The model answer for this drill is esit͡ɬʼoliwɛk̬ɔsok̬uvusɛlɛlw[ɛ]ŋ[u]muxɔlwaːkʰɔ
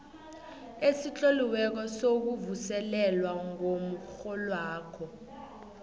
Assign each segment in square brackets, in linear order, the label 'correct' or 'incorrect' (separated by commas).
incorrect, incorrect